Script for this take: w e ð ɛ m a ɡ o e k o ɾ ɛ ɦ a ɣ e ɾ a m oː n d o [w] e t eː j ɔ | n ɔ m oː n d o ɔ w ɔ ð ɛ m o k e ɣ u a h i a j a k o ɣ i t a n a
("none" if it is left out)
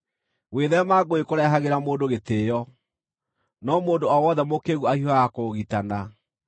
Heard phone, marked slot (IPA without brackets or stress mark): ɣ